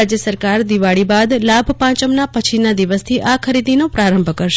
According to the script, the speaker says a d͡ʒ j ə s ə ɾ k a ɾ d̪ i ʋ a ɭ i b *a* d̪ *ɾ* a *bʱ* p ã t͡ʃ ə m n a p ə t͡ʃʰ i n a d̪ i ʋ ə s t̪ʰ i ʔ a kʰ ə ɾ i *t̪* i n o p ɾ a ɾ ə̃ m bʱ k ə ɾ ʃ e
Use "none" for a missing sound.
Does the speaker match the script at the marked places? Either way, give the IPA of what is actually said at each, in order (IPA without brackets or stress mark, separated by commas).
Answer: a, l, bʱ, d̪